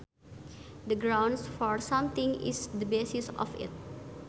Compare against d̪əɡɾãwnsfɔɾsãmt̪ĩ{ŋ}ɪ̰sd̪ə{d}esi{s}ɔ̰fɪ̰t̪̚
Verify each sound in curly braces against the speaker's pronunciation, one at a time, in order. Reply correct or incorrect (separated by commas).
correct, incorrect, correct